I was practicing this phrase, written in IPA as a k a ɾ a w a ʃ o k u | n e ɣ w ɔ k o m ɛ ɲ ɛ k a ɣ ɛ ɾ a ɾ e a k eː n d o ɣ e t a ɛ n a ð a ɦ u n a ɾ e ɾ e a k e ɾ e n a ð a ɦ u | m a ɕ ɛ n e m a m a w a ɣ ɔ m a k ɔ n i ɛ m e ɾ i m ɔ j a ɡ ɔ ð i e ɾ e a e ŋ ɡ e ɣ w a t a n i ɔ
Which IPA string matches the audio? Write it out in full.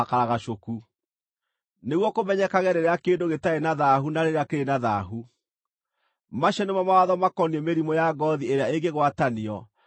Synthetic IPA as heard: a k a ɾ a ɣ a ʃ o k u | n e ɣ w ɔ k o m ɛ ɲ ɛ k a ɣ ɛ ɾ e ɾ e a k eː n d o ɣ e t a e n a ð a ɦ u n a ɾ e ɾ e a k e ɾ e n a ð a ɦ u | m a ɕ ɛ n e m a m a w a ð ɔ m a k ɔ n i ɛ m e ɾ i m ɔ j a ɡ ɔ ð i e ɾ e a e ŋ ɡ e ɣ w a t a n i ɔ